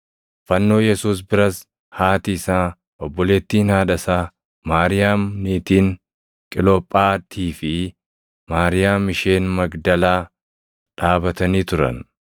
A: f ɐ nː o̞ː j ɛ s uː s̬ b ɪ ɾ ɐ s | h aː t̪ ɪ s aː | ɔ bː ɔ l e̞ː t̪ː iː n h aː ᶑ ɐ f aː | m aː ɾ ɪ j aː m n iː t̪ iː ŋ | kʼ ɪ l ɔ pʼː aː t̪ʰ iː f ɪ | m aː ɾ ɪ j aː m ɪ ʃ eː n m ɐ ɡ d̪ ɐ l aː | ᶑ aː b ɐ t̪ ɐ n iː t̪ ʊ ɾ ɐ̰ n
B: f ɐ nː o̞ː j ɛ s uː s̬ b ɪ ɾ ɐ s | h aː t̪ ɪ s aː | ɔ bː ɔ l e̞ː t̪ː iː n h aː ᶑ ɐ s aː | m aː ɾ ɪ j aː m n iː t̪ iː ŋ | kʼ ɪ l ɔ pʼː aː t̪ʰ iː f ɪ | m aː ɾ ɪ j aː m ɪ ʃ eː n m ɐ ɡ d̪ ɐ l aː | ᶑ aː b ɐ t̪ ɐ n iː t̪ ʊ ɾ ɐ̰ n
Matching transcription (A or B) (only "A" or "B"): B